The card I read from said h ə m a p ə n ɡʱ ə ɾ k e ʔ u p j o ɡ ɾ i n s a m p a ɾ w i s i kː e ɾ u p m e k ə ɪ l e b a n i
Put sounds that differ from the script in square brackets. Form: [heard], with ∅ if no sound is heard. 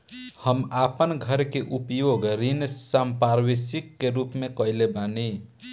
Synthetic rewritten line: h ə m a p ə n ɡʱ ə ɾ k e ʔ u p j o ɡ ɾ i n s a m p a ɾ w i s i kː e ɾ u p m e k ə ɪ l e b a n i